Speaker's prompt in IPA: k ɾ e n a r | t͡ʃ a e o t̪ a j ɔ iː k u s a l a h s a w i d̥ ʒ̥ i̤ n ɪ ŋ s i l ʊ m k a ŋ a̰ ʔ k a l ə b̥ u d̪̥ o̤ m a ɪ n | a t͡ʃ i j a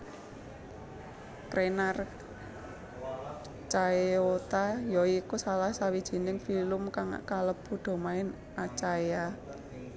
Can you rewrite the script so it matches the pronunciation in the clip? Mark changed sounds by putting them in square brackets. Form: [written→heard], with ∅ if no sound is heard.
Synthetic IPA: k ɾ e n a r | t͡ʃ a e o t̪ a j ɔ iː k u s a l a h s a w i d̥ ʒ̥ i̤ n ɪ ŋ [s→f] i l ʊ m k a ŋ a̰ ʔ k a l ə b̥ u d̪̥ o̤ m a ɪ n | a t͡ʃ [i→a] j a